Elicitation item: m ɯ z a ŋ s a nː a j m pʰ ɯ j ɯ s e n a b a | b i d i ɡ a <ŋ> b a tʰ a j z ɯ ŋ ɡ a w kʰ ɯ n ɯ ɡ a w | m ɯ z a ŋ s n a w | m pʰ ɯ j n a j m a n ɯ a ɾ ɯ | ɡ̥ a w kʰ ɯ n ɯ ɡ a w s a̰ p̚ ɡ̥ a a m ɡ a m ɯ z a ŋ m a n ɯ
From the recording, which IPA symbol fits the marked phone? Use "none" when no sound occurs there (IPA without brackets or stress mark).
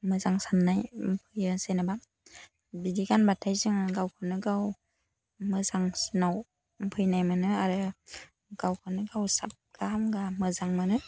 n